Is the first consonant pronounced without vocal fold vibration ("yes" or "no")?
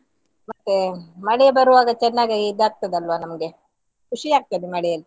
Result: no